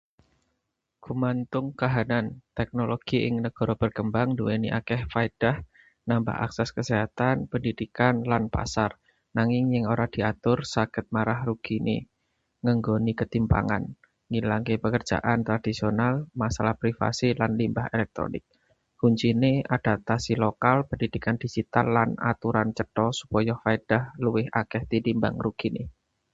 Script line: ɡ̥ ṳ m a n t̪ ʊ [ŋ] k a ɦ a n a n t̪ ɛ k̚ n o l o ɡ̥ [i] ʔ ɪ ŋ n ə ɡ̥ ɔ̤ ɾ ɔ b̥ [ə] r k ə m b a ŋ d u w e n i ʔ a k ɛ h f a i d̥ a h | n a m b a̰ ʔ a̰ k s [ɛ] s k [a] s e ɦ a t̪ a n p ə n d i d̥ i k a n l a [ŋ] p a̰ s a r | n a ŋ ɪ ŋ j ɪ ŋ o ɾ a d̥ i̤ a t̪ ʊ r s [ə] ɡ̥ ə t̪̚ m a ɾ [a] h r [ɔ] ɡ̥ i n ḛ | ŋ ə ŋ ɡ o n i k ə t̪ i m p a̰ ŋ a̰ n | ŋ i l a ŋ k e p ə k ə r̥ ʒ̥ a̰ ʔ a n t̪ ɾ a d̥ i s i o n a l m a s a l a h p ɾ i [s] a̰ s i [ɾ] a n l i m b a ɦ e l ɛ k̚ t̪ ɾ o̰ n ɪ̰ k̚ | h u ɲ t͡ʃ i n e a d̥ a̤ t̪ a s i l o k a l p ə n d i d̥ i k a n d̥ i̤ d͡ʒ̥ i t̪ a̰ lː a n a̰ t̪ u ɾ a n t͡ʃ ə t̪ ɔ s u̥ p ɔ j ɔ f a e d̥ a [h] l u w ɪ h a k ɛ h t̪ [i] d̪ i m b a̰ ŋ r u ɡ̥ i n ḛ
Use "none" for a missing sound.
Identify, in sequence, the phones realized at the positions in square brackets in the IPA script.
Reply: ŋ, i, ə, ɛ, ə, n, a, a, u, f, l, h, i

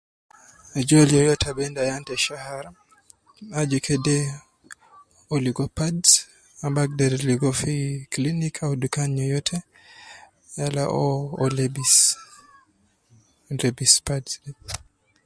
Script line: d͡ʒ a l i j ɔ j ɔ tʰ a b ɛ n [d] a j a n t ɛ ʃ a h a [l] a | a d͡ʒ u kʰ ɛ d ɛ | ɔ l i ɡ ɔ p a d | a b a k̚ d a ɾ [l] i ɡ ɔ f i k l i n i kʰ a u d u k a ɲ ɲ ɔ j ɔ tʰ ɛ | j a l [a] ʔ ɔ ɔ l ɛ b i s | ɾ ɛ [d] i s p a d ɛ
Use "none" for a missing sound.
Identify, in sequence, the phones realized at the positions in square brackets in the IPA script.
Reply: d, ɾ, l, a, b

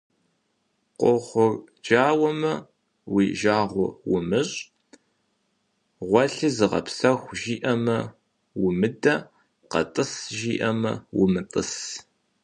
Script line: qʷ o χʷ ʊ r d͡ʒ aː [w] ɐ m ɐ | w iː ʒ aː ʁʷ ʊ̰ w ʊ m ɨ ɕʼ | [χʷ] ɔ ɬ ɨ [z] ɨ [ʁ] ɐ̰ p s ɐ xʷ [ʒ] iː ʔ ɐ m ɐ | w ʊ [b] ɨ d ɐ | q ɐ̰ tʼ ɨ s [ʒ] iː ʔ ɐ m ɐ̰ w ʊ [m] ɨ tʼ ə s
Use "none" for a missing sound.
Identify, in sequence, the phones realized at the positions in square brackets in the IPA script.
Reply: w, ʁʷ, z, ʁ, ʒ, m, ʒ, m

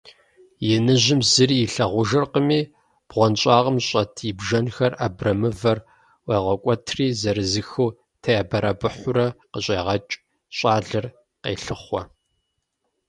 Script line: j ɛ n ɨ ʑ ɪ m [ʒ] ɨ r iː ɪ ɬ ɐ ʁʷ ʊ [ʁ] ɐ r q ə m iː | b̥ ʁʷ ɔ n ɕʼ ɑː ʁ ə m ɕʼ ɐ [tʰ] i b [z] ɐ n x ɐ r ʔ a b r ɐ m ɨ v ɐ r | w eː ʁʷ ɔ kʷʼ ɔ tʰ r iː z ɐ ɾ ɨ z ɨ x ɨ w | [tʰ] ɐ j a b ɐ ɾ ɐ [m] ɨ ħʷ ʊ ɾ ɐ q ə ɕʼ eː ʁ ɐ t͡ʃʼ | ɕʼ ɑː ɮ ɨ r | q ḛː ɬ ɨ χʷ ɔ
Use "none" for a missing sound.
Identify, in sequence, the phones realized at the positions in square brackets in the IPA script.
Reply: z, ʒ, tʰ, ʒ, tʰ, b

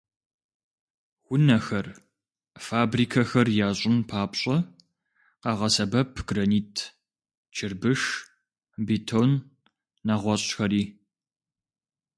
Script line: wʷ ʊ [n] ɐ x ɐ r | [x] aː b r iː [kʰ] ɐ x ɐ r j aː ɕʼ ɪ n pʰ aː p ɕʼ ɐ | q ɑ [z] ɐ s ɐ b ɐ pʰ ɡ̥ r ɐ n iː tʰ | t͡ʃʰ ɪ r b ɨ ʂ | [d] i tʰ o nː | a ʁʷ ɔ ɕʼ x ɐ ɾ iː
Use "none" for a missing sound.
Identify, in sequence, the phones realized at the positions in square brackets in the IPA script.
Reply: n, f, kʰ, ʁ, b

